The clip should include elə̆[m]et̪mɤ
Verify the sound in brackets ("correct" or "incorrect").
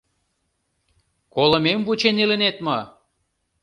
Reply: incorrect